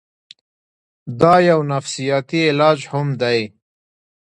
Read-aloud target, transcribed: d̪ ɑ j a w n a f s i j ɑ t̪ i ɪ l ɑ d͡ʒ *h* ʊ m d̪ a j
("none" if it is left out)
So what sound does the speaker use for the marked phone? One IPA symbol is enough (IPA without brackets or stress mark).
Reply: h